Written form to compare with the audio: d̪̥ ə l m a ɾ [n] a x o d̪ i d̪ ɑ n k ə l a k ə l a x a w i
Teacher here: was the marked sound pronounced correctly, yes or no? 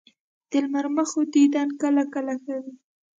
no